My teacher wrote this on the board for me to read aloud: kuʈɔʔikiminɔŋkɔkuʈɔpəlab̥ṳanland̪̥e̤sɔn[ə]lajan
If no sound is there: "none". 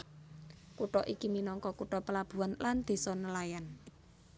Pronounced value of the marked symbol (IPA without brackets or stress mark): ə